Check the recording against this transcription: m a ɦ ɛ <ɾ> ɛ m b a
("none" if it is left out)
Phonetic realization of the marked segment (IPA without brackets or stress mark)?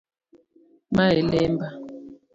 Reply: l